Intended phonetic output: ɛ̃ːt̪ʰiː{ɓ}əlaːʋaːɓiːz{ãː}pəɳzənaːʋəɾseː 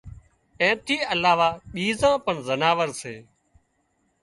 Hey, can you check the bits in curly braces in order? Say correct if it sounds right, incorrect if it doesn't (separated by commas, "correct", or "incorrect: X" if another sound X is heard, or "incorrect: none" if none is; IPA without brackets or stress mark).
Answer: incorrect: none, correct